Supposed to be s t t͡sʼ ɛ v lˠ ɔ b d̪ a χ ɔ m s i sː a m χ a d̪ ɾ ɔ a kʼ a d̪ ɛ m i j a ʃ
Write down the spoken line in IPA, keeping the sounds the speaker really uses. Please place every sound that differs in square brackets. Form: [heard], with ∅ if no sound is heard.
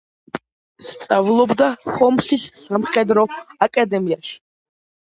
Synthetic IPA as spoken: s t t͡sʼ [a] v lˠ ɔ b d̪ a χ ɔ m s i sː a m χ [ɛ] d̪ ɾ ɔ a kʼ a d̪ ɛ m i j a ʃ